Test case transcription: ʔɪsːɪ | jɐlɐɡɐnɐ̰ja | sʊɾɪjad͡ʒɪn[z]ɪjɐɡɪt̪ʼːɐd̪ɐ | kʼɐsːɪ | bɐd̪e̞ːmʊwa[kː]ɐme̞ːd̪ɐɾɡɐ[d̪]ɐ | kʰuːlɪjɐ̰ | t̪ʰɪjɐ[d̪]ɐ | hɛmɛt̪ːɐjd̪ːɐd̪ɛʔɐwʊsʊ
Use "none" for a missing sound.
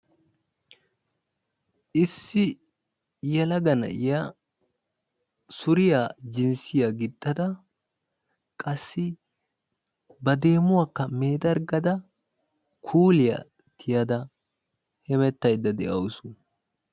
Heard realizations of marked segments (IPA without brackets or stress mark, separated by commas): s, kː, d̪, d̪